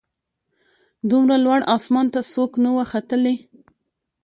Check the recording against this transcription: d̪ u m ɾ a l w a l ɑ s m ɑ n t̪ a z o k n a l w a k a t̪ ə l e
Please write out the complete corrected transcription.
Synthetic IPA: d̪ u m ɾ a l w a ɽ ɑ s m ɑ n t̪ a s o k n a w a x a t̪ ə l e